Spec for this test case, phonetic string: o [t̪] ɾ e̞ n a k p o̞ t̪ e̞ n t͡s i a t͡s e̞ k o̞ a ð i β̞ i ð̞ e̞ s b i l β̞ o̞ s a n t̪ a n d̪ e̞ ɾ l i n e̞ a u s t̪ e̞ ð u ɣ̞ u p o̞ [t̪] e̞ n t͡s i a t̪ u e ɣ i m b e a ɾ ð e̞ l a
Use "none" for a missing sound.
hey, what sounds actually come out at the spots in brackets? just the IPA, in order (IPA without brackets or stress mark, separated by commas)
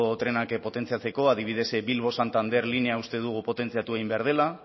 t̪, t̪